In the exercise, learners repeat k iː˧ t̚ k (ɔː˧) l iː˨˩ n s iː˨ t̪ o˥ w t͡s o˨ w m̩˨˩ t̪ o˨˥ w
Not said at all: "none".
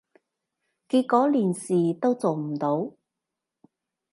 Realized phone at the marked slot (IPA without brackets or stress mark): ɔː˨˥